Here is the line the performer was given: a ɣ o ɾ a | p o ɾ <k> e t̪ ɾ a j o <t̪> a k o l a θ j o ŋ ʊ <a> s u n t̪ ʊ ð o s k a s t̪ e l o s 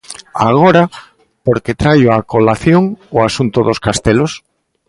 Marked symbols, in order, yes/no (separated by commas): yes, no, yes